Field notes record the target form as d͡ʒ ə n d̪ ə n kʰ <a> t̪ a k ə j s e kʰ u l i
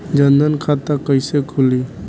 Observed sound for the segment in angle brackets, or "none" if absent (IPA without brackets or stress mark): a